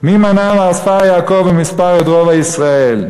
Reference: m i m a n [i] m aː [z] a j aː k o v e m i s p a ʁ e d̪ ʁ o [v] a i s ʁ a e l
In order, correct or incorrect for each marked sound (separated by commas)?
incorrect, incorrect, correct